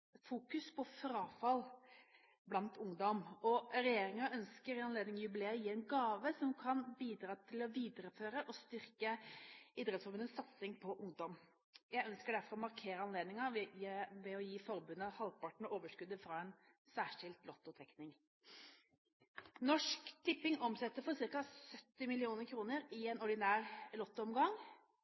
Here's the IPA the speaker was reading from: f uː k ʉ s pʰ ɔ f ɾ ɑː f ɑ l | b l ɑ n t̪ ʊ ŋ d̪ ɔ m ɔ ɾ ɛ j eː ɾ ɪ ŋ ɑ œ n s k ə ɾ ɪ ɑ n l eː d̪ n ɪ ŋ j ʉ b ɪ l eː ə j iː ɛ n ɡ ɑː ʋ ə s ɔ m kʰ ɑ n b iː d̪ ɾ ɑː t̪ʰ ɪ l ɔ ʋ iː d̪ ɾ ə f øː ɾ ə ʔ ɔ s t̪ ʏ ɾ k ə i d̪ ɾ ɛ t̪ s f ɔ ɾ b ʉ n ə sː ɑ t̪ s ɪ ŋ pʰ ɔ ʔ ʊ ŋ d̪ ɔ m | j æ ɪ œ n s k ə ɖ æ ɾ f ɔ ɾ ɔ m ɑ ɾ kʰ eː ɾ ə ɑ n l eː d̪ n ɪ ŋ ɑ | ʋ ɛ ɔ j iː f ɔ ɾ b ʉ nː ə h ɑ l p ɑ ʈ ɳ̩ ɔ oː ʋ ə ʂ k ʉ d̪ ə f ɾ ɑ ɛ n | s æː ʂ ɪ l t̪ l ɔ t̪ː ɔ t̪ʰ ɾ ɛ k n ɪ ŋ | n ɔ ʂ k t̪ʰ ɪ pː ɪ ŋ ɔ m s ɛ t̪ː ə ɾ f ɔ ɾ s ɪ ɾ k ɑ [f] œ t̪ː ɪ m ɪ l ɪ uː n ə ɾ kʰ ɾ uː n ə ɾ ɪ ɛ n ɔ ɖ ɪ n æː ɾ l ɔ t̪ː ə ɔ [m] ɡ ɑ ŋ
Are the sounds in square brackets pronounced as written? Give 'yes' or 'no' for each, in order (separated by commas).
no, yes